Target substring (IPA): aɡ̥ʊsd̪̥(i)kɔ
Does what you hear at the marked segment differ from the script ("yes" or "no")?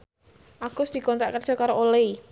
no